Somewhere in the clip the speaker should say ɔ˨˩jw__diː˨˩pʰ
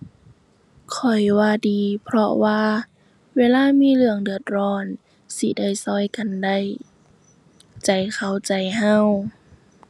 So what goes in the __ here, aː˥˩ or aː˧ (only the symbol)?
aː˧